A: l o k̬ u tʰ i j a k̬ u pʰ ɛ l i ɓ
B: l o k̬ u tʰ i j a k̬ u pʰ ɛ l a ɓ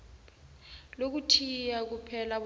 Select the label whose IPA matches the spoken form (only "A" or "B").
B